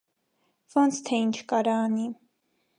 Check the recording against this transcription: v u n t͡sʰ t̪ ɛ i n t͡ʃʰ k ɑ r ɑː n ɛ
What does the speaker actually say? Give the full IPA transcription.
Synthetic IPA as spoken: v ɔ n t͡sʰ t̪ʰ ɛ i n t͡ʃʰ k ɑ ɾ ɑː n i